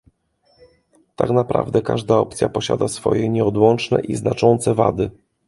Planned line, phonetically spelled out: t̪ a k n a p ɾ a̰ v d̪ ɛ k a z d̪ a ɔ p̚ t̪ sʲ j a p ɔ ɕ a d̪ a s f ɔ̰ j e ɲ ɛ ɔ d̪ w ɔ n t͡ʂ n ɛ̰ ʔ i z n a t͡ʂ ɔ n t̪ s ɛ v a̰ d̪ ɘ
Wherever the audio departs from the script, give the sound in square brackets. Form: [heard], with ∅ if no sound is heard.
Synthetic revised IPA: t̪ a k n a p ɾ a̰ v d̪ ɛ k a [ʐ] d̪ a ɔ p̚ t̪ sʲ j a p ɔ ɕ a d̪ a s f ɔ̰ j [ɛ] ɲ ɛ ɔ d̪ w ɔ n t͡ʂ n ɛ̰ ʔ i z n a t͡ʂ ɔ n t̪ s ɛ v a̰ d̪ ɘ